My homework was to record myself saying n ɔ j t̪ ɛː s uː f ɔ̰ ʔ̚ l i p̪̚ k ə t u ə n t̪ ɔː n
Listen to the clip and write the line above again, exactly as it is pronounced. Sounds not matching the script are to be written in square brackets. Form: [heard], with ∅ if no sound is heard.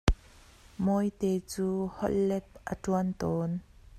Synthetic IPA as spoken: [m] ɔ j t̪ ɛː [t͡s] uː [h] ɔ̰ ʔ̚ l [ɛ] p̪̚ [ʔ] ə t u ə n t̪ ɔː n